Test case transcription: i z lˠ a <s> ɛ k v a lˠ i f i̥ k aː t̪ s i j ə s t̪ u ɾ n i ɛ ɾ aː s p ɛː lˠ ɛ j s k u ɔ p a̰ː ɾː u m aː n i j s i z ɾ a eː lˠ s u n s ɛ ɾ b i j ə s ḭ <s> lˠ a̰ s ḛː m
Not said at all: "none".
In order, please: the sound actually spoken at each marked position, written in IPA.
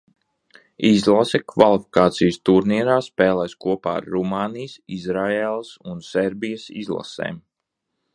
s, z

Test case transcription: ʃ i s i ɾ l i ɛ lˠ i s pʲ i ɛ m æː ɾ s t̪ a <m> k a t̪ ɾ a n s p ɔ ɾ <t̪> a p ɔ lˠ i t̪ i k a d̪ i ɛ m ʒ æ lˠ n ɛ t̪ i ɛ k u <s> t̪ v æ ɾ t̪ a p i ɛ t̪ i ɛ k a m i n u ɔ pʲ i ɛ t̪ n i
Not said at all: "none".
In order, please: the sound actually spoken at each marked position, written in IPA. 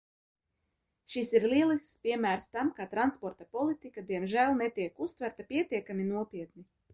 m, t̪, s

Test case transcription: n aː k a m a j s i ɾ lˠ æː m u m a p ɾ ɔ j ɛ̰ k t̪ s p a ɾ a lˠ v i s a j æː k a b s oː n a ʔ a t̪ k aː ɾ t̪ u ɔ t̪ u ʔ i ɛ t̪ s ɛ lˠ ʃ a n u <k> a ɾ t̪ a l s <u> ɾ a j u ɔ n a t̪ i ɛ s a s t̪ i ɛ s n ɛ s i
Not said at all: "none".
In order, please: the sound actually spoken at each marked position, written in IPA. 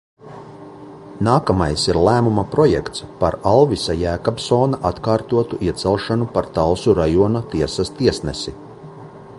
p, u

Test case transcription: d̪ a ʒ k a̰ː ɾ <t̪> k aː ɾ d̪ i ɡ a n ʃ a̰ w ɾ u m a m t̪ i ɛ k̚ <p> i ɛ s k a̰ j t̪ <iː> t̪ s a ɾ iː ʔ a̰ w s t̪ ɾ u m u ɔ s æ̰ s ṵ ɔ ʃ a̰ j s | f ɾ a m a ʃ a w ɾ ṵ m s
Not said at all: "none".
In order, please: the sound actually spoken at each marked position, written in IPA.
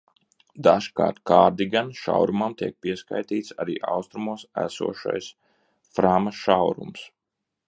t̪, p, iː

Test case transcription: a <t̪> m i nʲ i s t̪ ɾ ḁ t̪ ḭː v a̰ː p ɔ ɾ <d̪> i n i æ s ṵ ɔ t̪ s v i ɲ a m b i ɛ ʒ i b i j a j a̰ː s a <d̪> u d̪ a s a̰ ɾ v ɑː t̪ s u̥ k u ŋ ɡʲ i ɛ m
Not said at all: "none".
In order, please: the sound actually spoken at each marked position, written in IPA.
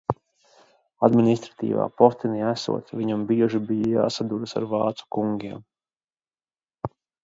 d̪, t̪, d̪

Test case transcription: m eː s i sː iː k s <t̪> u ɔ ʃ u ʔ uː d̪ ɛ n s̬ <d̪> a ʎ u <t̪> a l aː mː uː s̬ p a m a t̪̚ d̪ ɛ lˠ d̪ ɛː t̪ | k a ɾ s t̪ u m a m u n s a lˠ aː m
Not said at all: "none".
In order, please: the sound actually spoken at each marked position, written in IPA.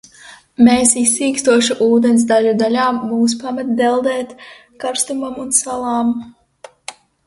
t̪, d̪, d̪

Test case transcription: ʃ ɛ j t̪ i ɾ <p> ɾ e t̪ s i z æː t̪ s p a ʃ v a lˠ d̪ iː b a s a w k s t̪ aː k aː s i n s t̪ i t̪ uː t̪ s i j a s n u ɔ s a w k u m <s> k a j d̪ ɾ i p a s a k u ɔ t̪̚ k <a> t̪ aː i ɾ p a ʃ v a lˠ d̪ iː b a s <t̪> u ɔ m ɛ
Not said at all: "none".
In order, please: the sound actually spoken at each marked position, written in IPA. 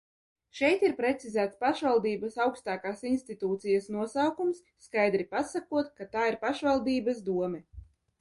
p, sː, a, d̪

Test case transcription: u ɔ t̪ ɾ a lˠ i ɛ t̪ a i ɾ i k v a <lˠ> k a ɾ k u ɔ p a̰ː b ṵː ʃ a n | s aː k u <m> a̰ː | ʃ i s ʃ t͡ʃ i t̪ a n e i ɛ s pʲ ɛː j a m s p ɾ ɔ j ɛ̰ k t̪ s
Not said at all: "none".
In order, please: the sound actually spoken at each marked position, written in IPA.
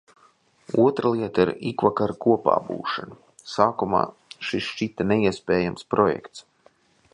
none, m

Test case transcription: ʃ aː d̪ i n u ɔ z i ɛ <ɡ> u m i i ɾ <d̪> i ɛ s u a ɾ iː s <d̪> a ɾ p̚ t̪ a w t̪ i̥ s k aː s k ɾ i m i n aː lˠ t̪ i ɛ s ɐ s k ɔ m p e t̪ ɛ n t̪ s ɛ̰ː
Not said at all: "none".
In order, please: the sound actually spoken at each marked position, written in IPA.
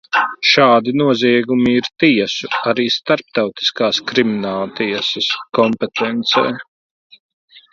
ɡ, t̪, t̪

